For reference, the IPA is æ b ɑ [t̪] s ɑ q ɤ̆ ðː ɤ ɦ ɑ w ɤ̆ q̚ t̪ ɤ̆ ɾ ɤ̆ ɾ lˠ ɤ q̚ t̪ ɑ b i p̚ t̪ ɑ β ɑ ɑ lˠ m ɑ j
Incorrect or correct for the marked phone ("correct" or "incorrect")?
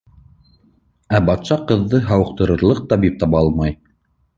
correct